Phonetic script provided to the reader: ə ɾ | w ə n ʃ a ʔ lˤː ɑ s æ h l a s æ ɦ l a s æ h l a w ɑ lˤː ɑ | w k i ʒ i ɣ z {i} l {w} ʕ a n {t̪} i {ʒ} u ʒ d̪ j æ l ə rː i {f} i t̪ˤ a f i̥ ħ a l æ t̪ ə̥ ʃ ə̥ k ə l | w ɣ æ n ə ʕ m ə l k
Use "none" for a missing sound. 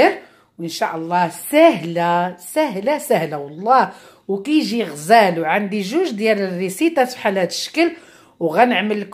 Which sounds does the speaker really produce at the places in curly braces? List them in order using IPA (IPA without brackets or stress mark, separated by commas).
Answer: æ, w, d̪, ʒ, s